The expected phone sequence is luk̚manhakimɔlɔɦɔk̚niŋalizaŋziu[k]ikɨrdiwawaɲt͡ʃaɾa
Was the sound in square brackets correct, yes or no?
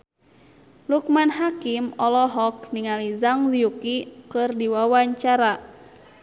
yes